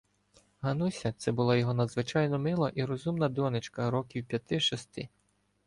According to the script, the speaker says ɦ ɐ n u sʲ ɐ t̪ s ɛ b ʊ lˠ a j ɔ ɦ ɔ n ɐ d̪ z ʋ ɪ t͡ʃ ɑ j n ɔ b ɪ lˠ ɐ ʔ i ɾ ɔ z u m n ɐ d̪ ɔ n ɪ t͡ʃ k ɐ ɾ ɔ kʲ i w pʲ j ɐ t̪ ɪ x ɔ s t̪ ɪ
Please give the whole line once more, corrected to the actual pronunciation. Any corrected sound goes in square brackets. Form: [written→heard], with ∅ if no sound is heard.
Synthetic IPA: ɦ ɐ n u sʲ ɐ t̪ s ɛ b ʊ lˠ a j ɔ ɦ ɔ n ɐ d̪ z ʋ ɪ t͡ʃ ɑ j n ɔ [b→m] ɪ lˠ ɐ ʔ i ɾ ɔ z u m n ɐ d̪ ɔ n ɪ t͡ʃ k ɐ ɾ ɔ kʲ i w pʲ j ɐ t̪ ɪ [x→ʃ] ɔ s t̪ ɪ